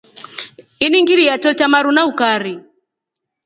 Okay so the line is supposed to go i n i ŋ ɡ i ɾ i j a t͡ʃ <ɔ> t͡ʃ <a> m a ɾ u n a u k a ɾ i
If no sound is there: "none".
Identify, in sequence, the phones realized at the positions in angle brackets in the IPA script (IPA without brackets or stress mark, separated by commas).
ɔ, a